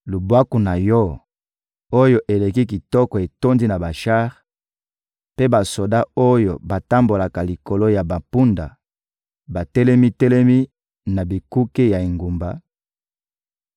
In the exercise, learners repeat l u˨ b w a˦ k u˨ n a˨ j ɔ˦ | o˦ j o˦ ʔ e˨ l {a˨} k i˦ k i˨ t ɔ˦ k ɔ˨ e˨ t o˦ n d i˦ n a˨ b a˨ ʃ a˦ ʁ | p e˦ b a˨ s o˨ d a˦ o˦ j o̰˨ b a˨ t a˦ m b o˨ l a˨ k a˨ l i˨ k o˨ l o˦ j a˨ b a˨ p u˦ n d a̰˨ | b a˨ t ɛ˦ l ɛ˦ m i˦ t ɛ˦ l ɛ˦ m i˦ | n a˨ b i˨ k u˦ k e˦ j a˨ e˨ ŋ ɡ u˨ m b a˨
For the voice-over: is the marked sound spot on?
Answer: no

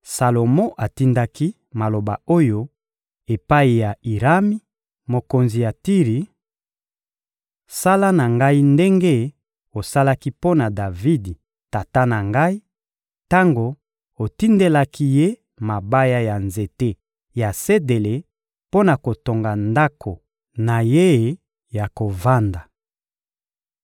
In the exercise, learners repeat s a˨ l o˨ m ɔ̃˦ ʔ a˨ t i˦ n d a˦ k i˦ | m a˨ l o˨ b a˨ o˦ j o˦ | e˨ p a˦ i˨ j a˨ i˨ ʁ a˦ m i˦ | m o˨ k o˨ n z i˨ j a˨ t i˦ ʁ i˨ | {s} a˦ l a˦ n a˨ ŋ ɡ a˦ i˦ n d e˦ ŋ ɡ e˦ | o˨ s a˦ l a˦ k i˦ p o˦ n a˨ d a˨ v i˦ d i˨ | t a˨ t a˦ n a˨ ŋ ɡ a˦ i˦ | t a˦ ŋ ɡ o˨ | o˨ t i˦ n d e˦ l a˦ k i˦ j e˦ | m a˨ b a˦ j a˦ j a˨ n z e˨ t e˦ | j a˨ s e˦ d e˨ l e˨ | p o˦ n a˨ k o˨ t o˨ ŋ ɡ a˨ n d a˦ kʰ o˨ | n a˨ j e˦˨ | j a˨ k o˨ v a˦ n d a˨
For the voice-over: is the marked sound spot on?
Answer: yes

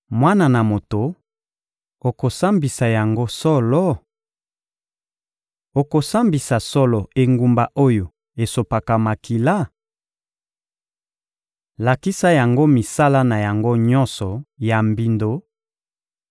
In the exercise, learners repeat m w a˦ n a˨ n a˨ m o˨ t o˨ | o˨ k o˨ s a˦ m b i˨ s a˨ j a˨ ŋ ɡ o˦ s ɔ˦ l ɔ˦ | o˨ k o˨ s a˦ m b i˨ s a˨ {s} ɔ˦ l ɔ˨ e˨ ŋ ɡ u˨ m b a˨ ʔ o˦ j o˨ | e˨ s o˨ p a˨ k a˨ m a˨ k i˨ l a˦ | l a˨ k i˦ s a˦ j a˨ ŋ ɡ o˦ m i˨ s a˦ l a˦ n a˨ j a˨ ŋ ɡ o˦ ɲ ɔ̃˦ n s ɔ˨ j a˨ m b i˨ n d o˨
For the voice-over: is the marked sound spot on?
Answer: yes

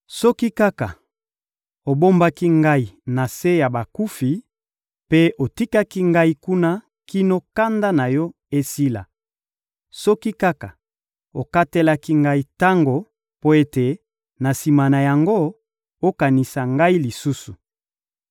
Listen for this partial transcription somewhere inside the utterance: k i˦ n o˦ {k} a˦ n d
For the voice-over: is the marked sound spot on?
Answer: yes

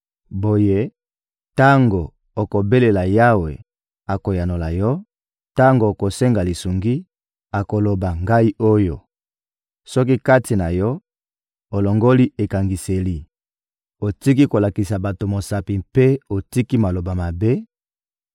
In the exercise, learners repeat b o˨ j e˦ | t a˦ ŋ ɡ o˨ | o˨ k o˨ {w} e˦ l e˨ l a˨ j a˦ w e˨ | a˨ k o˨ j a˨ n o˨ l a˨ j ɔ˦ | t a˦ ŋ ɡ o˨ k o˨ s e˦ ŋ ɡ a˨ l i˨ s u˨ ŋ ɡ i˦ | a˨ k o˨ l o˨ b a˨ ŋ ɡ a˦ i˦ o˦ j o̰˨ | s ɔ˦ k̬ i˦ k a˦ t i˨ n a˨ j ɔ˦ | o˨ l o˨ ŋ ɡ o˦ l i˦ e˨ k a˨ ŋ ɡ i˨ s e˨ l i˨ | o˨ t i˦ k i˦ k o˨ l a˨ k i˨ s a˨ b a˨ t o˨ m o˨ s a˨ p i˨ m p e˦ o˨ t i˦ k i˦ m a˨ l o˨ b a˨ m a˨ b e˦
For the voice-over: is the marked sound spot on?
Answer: no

